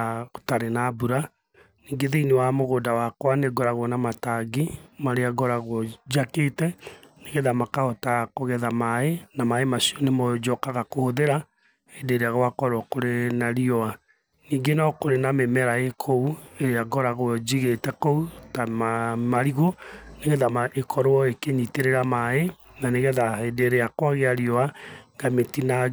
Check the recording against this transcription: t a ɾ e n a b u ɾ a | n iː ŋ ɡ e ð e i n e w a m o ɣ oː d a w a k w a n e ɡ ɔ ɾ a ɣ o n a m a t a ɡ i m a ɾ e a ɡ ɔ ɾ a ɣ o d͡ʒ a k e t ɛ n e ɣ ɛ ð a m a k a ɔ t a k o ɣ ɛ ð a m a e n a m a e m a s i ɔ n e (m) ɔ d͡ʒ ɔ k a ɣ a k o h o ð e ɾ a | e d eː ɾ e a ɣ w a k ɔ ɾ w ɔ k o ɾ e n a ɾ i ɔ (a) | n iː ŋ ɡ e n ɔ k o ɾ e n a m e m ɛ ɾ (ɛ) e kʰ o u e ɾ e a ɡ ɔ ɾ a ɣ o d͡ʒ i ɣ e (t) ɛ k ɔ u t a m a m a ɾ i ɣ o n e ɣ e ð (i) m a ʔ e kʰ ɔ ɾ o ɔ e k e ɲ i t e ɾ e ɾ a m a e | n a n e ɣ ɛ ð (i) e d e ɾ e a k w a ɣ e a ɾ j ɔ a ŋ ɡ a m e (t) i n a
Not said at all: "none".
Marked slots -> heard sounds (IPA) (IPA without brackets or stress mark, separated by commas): m, a, a, t, a, a, t